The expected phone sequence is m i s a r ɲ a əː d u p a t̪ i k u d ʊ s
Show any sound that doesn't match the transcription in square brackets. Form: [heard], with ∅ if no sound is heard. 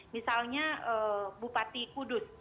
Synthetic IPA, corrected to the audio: m i s a [l] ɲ a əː [b] u p a t̪ i k u d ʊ s